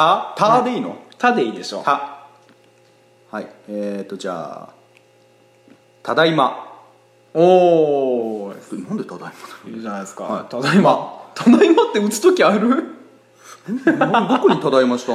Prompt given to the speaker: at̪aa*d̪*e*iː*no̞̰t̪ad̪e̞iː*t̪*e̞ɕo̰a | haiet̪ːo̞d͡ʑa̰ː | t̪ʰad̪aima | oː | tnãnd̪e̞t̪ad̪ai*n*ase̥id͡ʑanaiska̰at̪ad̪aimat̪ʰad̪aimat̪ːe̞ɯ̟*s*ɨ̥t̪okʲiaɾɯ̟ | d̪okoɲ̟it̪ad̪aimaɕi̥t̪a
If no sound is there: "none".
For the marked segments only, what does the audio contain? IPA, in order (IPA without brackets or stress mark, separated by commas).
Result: d̪, iː, d̪, m, t͡s